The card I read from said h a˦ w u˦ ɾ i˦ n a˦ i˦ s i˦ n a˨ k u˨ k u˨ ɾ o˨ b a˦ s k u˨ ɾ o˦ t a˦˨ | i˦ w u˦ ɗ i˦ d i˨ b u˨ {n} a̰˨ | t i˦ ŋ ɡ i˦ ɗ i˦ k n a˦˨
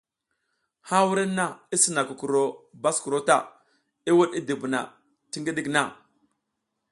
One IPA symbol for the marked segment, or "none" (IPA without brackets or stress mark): n